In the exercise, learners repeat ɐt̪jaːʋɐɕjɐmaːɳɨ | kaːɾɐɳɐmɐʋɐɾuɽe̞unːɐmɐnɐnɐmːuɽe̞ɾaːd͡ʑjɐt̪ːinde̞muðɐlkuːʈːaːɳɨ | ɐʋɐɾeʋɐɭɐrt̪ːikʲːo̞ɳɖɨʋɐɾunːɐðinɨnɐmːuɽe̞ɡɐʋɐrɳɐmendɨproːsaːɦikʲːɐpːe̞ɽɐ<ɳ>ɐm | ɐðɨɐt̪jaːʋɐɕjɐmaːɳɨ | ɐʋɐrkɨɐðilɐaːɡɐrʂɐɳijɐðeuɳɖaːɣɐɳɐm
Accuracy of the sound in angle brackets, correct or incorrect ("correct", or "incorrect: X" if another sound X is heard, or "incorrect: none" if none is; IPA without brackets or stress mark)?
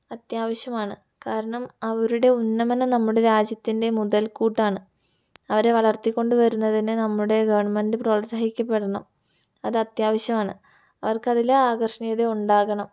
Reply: correct